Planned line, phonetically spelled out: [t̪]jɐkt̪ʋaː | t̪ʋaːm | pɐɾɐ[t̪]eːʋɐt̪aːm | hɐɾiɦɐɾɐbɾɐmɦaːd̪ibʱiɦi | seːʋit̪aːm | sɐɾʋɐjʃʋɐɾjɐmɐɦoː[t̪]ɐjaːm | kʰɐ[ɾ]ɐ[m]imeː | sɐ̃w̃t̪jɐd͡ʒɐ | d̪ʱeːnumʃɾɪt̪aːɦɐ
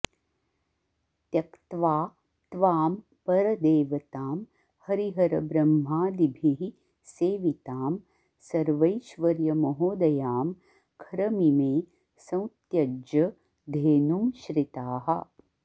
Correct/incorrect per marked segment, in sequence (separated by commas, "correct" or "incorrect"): correct, incorrect, incorrect, correct, correct